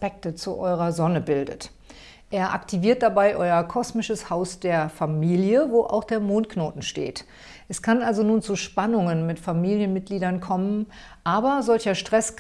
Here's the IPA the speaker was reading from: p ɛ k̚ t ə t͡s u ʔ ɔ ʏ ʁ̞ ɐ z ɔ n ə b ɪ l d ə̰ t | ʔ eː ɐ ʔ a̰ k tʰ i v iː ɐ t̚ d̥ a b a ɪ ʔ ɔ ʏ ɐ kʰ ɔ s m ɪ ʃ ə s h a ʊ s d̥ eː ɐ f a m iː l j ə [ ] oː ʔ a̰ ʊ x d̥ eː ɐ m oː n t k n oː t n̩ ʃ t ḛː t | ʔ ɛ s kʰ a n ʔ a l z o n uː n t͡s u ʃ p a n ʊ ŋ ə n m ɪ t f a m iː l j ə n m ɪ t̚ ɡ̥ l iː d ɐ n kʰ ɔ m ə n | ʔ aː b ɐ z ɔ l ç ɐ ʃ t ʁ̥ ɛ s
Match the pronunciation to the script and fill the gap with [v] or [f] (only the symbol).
v